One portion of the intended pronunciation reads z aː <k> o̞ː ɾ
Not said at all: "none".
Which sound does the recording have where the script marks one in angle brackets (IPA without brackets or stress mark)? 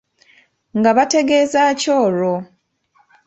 c